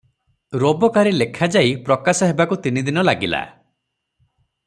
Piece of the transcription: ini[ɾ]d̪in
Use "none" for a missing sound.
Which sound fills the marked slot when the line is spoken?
none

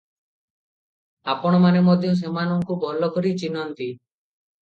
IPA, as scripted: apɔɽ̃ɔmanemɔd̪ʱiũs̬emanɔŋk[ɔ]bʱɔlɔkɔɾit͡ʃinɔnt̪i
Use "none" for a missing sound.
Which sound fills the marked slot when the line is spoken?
u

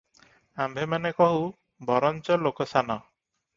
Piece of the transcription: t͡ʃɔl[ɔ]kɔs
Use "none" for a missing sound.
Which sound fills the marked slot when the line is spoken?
o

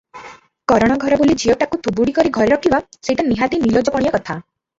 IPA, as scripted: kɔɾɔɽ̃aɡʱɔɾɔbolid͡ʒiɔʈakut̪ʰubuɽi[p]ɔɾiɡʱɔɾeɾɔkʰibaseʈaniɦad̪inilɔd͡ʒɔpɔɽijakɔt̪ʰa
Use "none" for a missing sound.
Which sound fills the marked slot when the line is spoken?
k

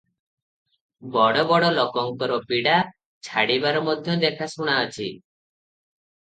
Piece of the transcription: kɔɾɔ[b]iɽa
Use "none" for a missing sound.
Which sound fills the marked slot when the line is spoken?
p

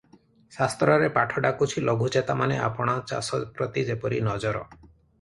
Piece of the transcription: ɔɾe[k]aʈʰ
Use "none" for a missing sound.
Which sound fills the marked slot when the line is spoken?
p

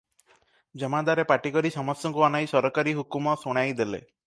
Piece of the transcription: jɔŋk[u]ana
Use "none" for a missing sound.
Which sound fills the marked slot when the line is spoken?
u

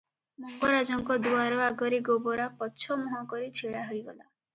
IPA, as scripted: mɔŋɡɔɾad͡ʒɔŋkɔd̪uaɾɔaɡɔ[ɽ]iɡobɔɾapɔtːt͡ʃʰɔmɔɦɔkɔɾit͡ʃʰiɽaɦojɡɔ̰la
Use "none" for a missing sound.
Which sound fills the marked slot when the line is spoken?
ɾ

